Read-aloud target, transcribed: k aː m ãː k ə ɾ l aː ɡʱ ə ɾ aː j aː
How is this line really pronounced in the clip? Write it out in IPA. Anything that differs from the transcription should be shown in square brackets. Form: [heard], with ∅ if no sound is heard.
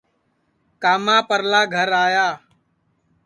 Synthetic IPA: k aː m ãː [p] ə ɾ l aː ɡʱ ə ɾ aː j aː

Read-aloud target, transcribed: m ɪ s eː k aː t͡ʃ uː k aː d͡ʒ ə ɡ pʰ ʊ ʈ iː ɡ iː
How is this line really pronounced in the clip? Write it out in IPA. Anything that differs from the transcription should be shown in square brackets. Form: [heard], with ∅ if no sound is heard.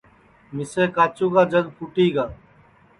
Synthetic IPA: m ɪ s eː k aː t͡ʃ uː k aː d͡ʒ ə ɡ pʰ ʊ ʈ iː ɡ [aː]

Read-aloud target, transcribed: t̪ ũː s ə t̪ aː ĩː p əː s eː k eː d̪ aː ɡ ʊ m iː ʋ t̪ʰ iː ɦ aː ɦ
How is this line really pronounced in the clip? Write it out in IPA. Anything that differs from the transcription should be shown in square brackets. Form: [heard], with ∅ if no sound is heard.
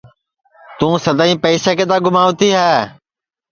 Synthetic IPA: t̪ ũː s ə [d̪] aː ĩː p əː s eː k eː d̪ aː ɡ ʊ m [aː] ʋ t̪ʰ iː ɦ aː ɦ

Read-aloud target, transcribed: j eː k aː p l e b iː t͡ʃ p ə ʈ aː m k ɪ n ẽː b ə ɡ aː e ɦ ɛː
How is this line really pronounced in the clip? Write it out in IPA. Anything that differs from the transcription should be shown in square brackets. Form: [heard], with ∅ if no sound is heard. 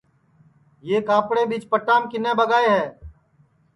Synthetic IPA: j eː k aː p [ɽ] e b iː t͡ʃ p ə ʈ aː m k ɪ n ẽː b ə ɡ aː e ɦ ɛː

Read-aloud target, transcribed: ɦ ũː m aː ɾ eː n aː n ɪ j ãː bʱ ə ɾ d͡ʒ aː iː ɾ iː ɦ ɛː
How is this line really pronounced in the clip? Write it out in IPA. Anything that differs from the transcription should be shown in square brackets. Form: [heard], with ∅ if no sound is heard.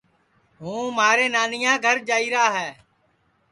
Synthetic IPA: ɦ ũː m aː ɾ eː n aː n ɪ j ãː [ɡʱ] ə ɾ d͡ʒ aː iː ɾ [aː] ɦ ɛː

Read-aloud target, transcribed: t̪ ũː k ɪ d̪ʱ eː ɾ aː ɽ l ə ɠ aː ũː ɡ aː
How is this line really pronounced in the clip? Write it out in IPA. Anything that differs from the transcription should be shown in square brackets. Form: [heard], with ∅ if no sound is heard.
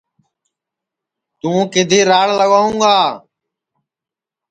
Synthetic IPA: t̪ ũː k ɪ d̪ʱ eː ɾ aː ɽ l ə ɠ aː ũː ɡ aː

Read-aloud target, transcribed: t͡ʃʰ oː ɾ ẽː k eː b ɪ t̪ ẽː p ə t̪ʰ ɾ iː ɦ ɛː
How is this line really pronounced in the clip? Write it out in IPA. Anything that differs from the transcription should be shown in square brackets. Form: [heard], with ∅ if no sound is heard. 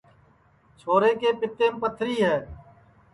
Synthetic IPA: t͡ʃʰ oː ɾ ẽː k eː [p] ɪ t̪ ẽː p ə t̪ʰ ɾ iː ɦ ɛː

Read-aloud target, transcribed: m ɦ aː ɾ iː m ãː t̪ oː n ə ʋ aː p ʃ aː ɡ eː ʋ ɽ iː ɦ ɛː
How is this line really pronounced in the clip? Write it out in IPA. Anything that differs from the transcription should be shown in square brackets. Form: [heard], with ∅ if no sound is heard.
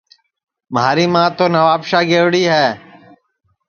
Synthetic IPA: m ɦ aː ɾ iː m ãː t̪ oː n ə ʋ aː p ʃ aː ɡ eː ʋ ɽ iː ɦ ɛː

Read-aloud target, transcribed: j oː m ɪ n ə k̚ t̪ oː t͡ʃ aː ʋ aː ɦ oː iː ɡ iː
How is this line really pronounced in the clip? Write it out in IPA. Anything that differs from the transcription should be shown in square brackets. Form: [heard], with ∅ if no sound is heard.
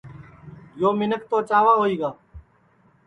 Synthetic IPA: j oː m ɪ n ə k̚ t̪ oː t͡ʃ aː ʋ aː ɦ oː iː ɡ [aː]

